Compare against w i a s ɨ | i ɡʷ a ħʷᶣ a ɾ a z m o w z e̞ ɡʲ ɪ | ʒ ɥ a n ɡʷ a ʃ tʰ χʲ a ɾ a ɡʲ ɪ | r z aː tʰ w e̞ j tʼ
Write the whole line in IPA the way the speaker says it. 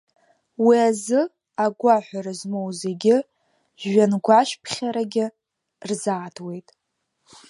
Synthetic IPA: w i a z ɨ | a ɡʷ a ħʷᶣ a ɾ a z m o w z e̞ ɡʲ ɪ | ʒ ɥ a n ɡʷ a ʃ pʰ χʲ a ɾ a ɡʲ ɪ | r z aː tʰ w e̞ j tʼ